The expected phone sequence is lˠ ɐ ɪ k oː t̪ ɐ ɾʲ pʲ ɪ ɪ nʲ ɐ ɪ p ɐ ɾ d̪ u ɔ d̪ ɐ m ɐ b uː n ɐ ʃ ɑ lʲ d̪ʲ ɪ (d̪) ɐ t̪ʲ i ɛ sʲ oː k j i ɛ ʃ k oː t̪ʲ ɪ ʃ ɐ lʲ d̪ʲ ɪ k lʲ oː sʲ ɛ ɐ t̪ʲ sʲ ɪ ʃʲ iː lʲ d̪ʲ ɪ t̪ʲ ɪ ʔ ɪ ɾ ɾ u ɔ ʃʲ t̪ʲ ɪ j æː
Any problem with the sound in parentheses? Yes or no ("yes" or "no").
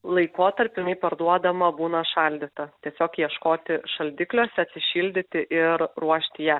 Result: yes